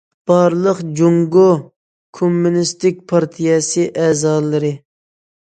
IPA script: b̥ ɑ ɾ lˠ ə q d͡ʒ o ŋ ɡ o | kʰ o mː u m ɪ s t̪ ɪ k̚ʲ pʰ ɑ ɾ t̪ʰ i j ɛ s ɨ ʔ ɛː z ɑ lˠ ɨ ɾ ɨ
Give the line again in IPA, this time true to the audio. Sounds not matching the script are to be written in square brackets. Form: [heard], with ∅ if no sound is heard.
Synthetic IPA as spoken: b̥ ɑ ɾ lˠ ə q d͡ʒ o ŋ ɡ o | kʰ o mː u [n] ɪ s t̪ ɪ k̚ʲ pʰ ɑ ɾ t̪ʰ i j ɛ s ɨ ʔ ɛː z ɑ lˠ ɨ ɾ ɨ